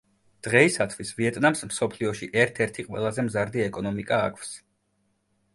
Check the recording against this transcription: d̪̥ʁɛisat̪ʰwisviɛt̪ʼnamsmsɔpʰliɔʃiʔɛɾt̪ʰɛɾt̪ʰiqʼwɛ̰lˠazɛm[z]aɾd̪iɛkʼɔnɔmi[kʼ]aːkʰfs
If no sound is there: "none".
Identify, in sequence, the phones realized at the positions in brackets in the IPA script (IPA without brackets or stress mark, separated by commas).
z, kʼ